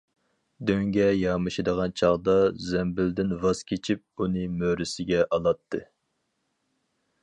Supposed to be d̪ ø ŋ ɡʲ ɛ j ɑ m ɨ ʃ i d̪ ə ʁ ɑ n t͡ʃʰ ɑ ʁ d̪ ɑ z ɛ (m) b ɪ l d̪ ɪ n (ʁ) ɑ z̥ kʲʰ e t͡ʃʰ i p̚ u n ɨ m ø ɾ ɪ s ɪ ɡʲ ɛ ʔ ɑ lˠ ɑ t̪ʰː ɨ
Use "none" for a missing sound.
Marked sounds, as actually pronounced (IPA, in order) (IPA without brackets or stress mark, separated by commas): m, v